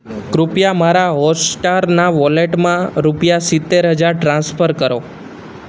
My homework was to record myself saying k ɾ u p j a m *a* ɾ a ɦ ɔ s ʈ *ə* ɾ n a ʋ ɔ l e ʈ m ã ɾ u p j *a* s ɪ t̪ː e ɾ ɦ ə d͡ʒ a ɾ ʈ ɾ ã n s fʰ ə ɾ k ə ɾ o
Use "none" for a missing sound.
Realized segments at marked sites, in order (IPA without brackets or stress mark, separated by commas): a, a, a